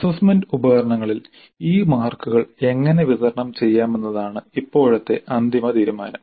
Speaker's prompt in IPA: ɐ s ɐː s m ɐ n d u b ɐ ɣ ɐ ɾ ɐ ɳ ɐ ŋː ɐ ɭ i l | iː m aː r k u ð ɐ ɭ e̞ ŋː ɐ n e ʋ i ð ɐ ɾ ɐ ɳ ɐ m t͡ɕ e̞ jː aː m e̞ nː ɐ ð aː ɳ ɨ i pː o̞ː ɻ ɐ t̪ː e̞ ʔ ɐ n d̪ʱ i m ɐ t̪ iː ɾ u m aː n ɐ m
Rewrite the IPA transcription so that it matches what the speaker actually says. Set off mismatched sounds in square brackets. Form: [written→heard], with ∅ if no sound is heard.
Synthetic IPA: ɐ s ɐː s m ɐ n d u b ɐ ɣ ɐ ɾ ɐ ɳ ɐ ŋː ɐ ɭ i l | iː m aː r k u [ð→ɣ] ɐ ɭ e̞ ŋː ɐ n e ʋ i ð ɐ ɾ ɐ ɳ ɐ m t͡ɕ e̞ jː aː m e̞ nː ɐ ð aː ɳ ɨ i pː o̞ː ɻ ɐ t̪ː e̞ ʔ ɐ n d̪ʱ i m ɐ t̪ iː ɾ u m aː n ɐ m